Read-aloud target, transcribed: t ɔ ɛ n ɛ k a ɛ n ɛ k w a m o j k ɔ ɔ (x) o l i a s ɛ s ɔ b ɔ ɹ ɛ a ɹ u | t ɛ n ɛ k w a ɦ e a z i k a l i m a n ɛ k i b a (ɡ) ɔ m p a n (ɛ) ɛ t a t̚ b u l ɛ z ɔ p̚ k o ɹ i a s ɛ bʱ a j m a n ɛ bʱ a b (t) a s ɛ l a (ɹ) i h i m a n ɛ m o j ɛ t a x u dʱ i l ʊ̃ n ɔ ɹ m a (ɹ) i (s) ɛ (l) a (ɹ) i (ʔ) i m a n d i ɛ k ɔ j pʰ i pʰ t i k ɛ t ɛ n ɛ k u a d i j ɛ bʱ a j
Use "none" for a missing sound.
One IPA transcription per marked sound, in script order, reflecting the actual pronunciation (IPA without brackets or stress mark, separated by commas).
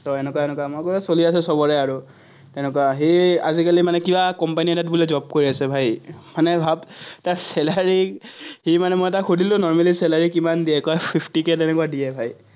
s, k, i, t, ɹ, l, s, l, ɹ, k